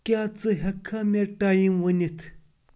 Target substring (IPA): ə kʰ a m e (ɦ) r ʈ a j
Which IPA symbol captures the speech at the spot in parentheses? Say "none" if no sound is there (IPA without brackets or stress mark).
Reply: none